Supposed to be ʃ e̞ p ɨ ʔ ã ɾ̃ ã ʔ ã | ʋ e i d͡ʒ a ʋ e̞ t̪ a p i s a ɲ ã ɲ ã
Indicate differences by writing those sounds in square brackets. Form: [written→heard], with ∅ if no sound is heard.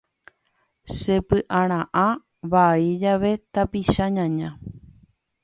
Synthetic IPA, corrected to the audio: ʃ e̞ p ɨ ʔ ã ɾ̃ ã ʔ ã | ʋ [e→a] i d͡ʒ a ʋ e̞ t̪ a p i [s→ʃ] a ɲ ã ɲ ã